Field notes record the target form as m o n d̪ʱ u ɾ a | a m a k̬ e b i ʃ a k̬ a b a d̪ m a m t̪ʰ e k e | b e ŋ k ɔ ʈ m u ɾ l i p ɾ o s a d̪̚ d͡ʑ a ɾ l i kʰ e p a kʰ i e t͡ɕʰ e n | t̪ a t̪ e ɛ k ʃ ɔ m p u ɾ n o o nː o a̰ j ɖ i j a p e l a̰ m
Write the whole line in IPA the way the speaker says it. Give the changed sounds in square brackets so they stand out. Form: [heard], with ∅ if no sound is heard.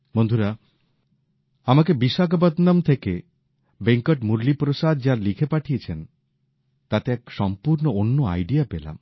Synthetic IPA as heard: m o n d̪ʱ u ɾ a | a m a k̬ e b i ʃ a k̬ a b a d̪ [n] a m t̪ʰ e k e | b e ŋ k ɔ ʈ m u ɾ l i p ɾ o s a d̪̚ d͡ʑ a ɾ l i kʰ e p a [ʈʰ] i e t͡ɕʰ e n | t̪ a t̪ e ɛ k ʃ ɔ m p u ɾ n o o nː o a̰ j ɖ i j a p e l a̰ m